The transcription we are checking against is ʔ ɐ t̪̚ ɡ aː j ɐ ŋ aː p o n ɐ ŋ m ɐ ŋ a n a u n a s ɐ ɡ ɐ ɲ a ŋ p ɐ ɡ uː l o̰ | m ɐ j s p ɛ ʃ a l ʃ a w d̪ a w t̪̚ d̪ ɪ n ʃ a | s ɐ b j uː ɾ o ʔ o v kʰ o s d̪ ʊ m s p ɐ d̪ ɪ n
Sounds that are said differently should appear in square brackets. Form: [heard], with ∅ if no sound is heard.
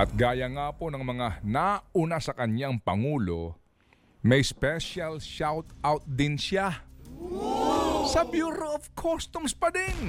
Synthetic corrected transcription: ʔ ɐ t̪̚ ɡ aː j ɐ ŋ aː p o n ɐ ŋ m ɐ ŋ a n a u n a s ɐ [k] ɐ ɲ a ŋ p ɐ [ŋ] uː l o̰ | m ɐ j s p ɛ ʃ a l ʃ a w [t̪] a w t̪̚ d̪ ɪ n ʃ a | s ɐ b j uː ɾ o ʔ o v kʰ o s [t̪] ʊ m s p ɐ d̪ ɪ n